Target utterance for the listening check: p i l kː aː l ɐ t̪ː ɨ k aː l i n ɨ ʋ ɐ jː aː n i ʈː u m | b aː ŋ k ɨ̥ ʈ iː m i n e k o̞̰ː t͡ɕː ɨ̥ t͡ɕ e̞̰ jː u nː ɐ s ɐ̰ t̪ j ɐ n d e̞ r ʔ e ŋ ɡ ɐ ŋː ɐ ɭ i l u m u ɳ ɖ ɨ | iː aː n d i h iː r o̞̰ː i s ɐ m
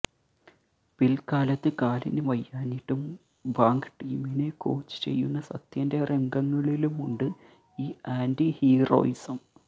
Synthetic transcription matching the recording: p i l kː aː l ɐ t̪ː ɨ k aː l i n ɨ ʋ ɐ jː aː n i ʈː u m | b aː ŋ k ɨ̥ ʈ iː m i n e k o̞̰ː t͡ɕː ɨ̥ t͡ɕ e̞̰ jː u nː ɐ s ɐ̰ t̪ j ɐ n d e̞ r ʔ e ŋ ɡ ɐ ŋː ɐ ɭ i l u m u ɳ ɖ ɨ | iː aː n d i h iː r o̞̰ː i s ɐ m